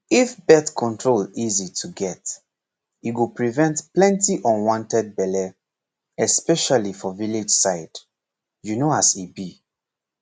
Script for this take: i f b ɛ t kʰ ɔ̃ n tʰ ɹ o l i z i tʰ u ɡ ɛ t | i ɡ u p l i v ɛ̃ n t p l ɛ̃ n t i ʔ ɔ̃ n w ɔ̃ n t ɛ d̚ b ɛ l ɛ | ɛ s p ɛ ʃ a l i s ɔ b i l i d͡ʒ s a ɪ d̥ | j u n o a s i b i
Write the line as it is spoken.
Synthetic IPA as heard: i f b ɛ t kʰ ɔ̃ n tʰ ɹ o l i z i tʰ u ɡ ɛ t | i ɡ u p ɹ i v ɛ̃ n t p l ɛ̃ n t i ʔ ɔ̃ n w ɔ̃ n t ɛ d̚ b ɛ l ɛ | ɛ s p ɛ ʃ a l i f ɔ v i l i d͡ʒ s a ɪ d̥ | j u n o a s i b i